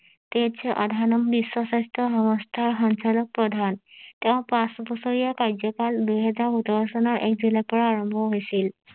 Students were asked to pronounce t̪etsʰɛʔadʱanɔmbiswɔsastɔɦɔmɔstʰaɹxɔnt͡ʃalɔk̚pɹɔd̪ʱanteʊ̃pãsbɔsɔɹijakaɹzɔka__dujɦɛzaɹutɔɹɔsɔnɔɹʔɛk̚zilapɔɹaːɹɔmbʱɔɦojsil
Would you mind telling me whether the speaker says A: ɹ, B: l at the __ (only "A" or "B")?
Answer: B